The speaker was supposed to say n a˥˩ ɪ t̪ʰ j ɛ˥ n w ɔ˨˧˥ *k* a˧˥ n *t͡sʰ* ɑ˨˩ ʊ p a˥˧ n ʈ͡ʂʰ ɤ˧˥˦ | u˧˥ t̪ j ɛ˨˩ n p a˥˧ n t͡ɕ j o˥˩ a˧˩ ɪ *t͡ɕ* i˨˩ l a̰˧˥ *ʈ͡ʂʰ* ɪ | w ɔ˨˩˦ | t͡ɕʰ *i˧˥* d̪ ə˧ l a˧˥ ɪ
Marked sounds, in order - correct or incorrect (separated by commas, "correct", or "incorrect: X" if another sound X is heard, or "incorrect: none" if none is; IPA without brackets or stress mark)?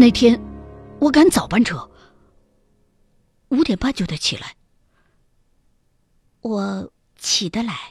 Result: correct, incorrect: t͡s, incorrect: t͡ɕʰ, incorrect: none, incorrect: i˨˩